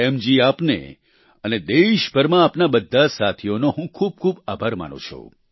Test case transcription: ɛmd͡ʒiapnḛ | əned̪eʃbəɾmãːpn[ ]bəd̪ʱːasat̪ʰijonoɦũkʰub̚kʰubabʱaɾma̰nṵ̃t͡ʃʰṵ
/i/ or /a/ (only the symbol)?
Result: a